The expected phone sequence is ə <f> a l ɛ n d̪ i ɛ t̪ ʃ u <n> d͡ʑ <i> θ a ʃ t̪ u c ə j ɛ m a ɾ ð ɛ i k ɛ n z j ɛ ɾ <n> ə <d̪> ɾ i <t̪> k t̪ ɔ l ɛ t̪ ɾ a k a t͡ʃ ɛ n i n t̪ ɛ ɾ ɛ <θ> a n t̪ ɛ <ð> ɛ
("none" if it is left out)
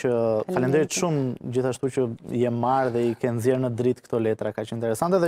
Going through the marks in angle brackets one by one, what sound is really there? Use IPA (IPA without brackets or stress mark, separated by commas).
f, m, i, n, d̪, t̪, s, ð